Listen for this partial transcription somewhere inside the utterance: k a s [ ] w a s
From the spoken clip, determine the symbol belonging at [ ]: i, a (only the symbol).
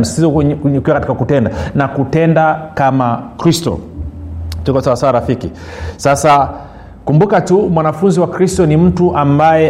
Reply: a